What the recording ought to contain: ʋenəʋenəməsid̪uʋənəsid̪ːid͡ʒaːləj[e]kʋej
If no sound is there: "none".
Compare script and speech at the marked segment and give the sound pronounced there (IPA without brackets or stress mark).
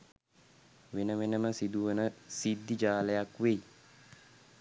a